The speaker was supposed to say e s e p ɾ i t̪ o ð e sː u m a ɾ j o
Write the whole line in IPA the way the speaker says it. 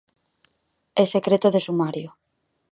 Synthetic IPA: e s e k ɾ e t̪ o ð e s u m a ɾ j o